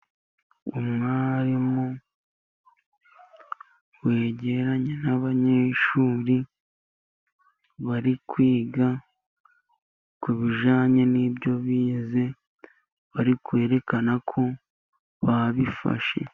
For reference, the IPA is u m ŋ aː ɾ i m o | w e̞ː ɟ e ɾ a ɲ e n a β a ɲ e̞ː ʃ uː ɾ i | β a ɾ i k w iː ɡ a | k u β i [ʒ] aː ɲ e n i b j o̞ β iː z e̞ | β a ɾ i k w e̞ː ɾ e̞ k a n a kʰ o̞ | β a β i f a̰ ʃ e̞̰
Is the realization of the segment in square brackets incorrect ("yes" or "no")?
no